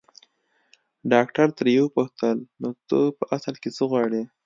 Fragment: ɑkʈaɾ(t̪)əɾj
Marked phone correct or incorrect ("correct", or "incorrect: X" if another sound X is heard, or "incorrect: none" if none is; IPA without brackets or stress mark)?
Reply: correct